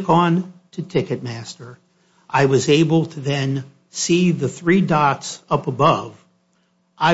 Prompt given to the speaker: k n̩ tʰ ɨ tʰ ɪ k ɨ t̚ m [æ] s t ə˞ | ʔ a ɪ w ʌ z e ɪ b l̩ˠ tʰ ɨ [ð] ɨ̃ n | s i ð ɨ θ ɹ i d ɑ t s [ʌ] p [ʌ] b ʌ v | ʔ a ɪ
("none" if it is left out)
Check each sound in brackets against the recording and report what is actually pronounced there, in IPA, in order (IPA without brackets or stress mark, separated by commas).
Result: æ, ð, ʌ, ə